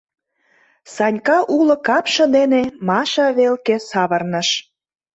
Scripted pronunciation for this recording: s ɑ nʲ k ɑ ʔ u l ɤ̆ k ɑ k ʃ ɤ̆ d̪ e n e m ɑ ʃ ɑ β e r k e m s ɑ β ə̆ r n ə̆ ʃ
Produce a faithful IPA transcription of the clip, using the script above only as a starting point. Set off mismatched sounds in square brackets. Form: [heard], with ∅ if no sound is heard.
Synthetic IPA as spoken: s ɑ nʲ k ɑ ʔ u l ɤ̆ k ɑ [p] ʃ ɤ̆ d̪ e n e m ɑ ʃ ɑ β e [l] k e [∅] s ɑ β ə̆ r n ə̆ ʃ